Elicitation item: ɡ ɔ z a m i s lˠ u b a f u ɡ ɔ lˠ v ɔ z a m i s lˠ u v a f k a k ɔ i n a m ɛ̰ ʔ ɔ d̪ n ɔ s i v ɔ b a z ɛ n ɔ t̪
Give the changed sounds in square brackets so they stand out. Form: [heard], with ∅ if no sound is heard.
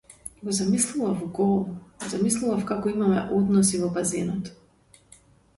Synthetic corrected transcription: ɡ ɔ z a m i s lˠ u [v] a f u ɡ ɔ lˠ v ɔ z a m i s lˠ u v a f k a k ɔ i [m] a m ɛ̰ ʔ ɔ d̪ n ɔ s i v ɔ b a z ɛ n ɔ t̪